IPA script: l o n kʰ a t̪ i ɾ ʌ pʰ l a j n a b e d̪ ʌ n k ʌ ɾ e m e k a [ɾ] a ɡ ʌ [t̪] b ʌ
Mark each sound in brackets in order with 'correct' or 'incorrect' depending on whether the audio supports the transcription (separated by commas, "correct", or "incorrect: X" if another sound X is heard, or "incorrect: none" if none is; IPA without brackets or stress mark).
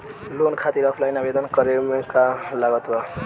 incorrect: l, correct